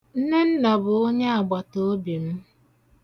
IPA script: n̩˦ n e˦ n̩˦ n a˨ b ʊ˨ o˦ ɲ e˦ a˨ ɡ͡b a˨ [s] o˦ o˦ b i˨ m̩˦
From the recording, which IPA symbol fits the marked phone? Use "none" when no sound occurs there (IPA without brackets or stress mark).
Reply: t